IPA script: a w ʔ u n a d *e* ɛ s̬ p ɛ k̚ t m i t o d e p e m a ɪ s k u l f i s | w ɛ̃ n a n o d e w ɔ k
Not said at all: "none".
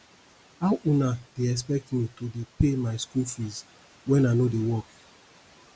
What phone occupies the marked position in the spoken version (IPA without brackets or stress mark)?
e